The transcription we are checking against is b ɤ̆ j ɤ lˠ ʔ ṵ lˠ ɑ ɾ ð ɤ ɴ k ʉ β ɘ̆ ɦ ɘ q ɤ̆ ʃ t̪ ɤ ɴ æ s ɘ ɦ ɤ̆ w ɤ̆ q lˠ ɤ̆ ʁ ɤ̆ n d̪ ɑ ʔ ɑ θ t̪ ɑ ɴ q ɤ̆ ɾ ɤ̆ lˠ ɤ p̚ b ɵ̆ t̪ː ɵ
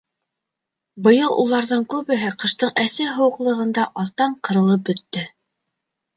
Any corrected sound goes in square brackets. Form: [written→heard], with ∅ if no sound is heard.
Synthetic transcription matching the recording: b ɤ̆ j ɤ lˠ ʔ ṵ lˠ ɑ ɾ ð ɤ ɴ k ʉ β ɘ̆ ɦ ɘ q ɤ̆ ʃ t̪ ɤ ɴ æ s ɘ ɦ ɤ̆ w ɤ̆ q lˠ ɤ̆ ʁ ɤ̆ n d̪ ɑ ʔ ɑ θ t̪ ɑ ɴ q ɤ̆ ɾ ɤ̆ lˠ ɤ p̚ b ɵ̆ t̪ː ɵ